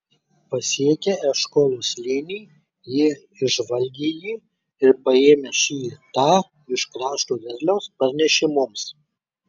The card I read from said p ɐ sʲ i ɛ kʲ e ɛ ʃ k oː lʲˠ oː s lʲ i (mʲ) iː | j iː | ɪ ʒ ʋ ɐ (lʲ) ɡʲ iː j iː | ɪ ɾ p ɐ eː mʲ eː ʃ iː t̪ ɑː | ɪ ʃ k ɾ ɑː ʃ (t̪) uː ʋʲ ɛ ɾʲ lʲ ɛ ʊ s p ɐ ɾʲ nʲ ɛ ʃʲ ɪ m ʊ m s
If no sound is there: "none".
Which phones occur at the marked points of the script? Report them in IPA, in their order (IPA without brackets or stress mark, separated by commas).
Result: nʲ, lʲ, t̪